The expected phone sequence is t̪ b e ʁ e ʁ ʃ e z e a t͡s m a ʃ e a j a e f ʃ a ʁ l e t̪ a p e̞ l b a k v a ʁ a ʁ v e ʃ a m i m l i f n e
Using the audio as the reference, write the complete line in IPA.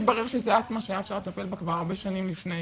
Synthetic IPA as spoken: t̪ b a ʁ e ʁ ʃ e z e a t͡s m a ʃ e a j a e f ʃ a ʁ l e t̪ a p e̞ l b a k v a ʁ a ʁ b e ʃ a n i m l i f n e